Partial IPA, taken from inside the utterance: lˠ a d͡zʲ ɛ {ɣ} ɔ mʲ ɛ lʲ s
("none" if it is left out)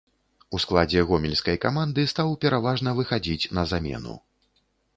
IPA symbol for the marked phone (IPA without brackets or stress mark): ɣ